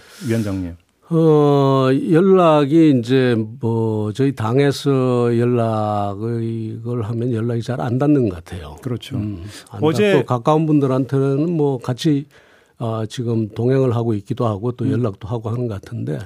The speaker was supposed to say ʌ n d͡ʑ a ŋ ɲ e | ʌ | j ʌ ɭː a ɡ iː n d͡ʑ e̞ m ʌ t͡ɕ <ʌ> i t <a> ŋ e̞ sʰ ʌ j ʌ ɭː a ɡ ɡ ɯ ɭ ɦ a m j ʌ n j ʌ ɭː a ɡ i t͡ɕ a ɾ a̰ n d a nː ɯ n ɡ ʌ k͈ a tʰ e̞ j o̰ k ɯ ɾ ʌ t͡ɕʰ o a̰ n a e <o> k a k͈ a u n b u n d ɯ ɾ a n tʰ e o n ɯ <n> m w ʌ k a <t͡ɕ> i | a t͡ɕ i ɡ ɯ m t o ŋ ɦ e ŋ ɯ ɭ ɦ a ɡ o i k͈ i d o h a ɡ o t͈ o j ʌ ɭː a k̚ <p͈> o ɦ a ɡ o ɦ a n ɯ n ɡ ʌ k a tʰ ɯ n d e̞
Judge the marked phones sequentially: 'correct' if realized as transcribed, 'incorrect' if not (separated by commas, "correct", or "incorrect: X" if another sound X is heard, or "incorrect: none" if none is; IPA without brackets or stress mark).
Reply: correct, correct, correct, correct, incorrect: t͡ɕʰ, incorrect: t͈